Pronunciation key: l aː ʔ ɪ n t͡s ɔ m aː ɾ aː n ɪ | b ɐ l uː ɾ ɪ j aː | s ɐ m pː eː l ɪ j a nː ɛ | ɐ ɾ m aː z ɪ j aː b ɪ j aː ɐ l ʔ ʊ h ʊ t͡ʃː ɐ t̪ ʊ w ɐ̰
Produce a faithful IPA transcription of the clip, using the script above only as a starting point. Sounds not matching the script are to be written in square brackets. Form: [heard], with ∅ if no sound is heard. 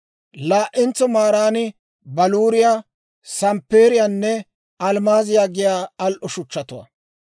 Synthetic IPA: l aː ʔ ɪ n t͡s ɔ m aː ɾ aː n ɪ | b ɐ l uː ɾ ɪ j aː | s ɐ m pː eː [ɾ] ɪ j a nː ɛ | ɐ [l] m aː z ɪ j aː [ɡ] ɪ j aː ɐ l ʔ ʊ [ʃ] ʊ t͡ʃː ɐ t̪ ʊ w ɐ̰